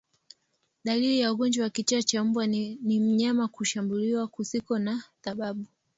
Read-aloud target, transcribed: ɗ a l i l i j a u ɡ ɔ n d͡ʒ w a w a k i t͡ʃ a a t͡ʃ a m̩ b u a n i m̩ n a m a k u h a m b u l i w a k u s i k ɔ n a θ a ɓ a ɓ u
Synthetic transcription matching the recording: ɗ a l i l i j a u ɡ ɔ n d͡ʒ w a w a k i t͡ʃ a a t͡ʃ a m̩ b w a n i m̩ ɲ a m a k u ʃ a m b u l i w a k u s i k ɔ n a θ a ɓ a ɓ u